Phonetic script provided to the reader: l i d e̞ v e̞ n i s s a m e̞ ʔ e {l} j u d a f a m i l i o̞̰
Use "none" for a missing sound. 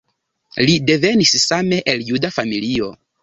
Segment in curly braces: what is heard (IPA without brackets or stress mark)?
l